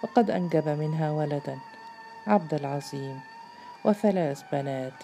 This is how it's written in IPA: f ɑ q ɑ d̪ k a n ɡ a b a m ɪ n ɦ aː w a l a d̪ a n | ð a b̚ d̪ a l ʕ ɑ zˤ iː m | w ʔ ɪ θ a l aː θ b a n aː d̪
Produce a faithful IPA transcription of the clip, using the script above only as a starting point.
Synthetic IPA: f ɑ q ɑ d̪ ʔ a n ɡ a b a m ɪ n ɦ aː w a l a d̪ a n | ʕ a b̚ d̪ a l ʕ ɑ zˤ iː m | w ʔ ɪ θ a l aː θ b a n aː t̪